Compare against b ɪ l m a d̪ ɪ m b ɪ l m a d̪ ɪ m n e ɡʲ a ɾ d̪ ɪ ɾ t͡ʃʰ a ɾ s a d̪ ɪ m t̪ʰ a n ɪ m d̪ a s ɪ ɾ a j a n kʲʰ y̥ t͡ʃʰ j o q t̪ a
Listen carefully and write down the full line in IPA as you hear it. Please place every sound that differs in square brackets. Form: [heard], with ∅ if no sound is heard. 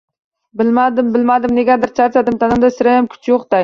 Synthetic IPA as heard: b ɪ l m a d̪ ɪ m b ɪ l m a d̪ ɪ m n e ɡʲ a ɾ d̪ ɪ ɾ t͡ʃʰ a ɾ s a d̪ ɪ m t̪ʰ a n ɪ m d̪ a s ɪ ɾ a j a [m] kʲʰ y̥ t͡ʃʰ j o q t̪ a